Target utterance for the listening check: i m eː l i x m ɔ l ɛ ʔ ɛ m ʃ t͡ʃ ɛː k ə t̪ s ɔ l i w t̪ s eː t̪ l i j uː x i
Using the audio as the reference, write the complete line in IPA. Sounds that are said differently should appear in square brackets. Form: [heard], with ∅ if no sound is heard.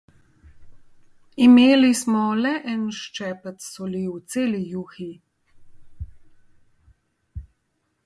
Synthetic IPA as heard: i m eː l i [s] m ɔ l ɛ ʔ ɛ [n] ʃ t͡ʃ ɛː [p] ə t̪ s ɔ l i w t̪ s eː [∅] l i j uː x i